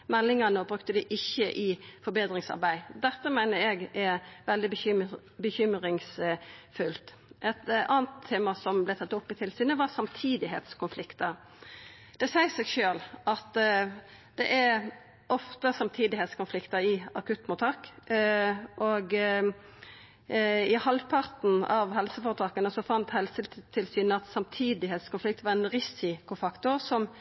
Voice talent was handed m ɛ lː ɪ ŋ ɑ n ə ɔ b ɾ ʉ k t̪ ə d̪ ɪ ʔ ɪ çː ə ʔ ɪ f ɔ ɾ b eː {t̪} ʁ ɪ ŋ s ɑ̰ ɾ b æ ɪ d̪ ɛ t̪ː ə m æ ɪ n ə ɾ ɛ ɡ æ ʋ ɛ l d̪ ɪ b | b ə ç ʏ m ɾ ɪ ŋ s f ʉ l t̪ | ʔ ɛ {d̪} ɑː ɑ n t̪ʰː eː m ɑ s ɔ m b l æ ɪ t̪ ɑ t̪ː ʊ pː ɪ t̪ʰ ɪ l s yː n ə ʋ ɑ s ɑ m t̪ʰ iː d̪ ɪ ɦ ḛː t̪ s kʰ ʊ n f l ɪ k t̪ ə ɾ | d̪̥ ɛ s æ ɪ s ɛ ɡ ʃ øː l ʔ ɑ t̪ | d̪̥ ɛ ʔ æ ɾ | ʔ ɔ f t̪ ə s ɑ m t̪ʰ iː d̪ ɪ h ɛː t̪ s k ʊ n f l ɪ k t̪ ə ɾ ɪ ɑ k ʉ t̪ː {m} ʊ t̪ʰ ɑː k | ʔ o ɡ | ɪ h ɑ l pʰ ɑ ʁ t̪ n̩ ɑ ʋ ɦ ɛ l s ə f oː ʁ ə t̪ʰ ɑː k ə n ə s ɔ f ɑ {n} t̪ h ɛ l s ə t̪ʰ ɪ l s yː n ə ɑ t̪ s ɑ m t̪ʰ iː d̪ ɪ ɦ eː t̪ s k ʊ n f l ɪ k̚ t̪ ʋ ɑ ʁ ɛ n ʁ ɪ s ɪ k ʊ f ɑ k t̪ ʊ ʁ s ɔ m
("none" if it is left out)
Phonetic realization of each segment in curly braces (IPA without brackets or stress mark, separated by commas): d̪, t̪, m, n